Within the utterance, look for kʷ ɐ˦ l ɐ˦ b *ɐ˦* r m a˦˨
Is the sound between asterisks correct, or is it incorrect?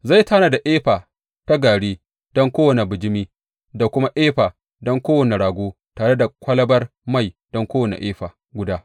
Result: correct